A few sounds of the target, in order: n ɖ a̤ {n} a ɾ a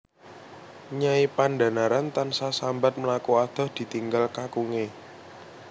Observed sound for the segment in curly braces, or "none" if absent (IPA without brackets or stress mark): n